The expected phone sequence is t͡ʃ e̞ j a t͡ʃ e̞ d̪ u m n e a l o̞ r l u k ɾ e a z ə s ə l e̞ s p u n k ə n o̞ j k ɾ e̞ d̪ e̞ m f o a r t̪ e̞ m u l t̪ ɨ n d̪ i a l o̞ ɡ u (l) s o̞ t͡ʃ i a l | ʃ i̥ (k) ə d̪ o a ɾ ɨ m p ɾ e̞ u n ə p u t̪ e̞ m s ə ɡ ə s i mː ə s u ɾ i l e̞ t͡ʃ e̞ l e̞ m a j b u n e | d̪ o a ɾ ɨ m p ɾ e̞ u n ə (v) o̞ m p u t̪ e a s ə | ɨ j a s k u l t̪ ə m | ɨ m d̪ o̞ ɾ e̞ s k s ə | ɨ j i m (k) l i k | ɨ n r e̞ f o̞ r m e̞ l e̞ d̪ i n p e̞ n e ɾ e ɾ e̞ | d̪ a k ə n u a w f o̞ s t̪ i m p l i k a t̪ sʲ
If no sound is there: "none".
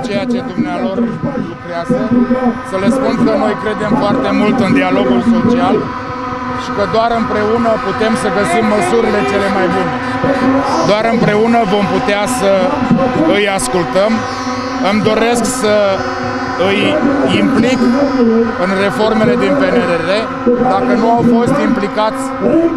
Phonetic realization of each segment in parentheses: l, k, v, p

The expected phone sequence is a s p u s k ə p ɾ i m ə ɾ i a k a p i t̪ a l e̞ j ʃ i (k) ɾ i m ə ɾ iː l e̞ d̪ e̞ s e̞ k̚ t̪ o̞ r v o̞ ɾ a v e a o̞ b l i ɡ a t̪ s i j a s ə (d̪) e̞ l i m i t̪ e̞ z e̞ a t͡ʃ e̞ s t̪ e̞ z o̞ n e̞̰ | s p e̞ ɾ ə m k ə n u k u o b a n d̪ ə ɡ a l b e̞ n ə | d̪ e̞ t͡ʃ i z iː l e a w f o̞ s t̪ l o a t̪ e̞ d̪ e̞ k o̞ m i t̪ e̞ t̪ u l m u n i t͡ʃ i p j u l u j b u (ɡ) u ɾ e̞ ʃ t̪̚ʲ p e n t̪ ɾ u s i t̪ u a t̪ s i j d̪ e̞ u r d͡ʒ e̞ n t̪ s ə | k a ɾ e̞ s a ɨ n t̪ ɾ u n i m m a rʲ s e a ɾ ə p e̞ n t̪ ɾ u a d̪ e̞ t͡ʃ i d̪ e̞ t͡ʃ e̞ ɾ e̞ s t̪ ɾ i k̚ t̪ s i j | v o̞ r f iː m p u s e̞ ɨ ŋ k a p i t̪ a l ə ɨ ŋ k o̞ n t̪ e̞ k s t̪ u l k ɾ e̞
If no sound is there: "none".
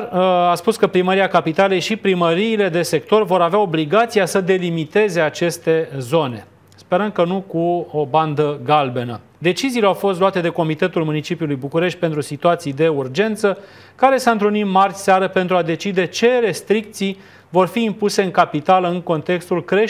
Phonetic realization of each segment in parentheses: p, d̪, k

